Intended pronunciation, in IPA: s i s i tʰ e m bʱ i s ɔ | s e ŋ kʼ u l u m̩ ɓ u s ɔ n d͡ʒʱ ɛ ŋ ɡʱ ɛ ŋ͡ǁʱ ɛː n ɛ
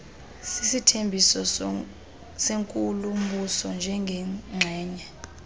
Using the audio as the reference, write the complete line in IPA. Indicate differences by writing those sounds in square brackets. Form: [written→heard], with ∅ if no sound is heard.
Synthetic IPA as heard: s i s i tʰ e m bʱ i s ɔ | s e ŋ kʼ u l u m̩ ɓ u s ɔ n d͡ʒʱ ɛ ŋ ɡʱ ɛ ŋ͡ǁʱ ɛː [n→ɲ] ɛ